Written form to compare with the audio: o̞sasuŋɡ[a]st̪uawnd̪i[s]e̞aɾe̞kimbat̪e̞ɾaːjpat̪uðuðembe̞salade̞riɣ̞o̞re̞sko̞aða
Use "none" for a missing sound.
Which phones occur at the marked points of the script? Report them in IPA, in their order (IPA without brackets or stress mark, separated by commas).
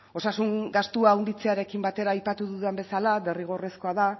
a, t͡s